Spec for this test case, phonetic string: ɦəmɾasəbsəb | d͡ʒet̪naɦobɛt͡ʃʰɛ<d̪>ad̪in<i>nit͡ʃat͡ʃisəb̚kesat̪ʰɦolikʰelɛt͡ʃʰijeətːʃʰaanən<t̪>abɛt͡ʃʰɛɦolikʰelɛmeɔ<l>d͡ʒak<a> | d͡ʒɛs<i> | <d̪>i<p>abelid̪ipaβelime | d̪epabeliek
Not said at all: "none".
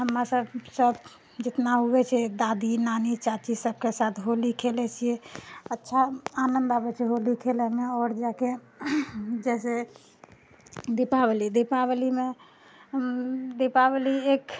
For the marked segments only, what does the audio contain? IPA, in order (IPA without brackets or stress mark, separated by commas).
d̪, a, d̪, ɾ, e, e, d̪, p